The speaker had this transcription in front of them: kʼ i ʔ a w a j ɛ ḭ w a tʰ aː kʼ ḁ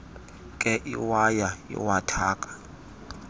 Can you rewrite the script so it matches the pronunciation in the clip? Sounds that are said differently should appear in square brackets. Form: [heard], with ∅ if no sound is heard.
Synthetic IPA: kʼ [ɛ] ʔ [i] w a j [a] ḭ w a tʰ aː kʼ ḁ